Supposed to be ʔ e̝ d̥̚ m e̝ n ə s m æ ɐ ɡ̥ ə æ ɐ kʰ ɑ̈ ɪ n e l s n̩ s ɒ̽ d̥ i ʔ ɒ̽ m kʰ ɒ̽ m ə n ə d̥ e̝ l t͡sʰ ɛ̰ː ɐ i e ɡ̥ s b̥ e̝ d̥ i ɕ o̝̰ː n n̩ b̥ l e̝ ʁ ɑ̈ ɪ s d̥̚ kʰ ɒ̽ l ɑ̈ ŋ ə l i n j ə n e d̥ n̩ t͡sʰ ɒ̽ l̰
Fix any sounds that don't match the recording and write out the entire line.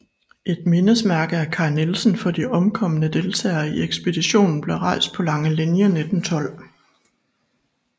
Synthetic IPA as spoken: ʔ e̝ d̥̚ m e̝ n ə s m æ ɐ ɡ̥ ə æ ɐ kʰ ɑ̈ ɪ n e l s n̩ f ɒ̽ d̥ i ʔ ɒ̽ m kʰ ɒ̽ m ə n ə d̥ e̝ l t͡sʰ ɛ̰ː ɐ i e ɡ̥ s b̥ e̝ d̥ i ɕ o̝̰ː n n̩ b̥ l e̝ ʁ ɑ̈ ɪ s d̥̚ pʰ ɒ̽ l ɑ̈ ŋ ə l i n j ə n e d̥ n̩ t͡sʰ ɒ̽ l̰